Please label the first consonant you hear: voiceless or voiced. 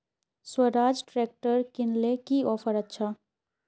voiceless